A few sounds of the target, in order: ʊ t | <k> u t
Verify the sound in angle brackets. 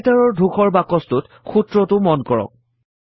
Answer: incorrect: x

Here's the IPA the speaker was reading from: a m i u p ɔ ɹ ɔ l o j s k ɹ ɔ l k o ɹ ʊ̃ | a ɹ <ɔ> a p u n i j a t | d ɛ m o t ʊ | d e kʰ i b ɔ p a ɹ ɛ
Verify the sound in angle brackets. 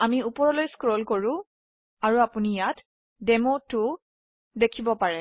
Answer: incorrect: u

